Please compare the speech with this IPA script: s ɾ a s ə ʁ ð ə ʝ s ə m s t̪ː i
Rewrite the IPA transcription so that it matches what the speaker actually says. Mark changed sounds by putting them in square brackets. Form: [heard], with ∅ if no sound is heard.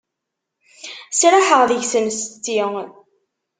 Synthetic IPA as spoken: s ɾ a [ħ] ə ʁ ð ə ʝ s ə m s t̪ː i